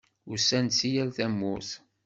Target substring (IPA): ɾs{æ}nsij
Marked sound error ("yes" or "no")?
no